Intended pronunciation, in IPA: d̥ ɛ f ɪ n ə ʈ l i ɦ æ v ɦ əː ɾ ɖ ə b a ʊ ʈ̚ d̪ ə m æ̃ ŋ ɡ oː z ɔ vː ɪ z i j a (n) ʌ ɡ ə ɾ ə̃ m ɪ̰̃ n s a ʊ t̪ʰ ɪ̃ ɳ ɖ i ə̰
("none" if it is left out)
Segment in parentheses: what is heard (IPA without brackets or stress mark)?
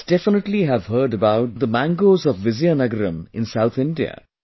n